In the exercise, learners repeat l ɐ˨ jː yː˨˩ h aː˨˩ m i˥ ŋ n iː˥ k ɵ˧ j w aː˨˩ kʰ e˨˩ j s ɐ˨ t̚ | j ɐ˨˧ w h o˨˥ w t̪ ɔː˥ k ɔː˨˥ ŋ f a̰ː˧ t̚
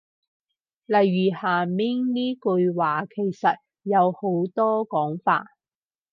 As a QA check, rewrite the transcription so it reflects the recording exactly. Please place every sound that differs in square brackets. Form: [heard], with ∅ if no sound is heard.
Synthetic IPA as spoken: l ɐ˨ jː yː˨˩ h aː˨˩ m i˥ ŋ n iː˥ k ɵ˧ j w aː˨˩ kʰ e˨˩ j s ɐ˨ t̚ | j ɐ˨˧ w h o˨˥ w t̪ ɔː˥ k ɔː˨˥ ŋ f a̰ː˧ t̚